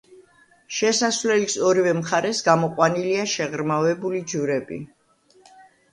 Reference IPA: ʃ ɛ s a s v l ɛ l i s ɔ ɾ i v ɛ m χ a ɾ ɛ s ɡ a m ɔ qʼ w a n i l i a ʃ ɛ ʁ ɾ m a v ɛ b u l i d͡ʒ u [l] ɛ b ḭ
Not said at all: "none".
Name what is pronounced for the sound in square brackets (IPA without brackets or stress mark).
ɾ